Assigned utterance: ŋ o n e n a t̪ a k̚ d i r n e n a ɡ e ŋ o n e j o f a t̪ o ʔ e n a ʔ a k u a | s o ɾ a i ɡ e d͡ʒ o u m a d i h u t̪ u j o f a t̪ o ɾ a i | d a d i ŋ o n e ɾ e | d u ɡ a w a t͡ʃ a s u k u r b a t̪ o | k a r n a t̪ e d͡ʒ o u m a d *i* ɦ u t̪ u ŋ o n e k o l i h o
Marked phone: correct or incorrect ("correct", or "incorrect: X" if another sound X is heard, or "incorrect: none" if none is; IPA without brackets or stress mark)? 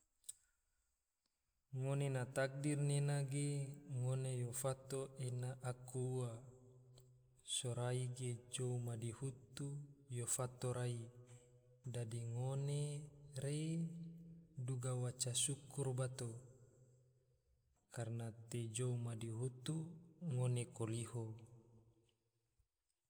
correct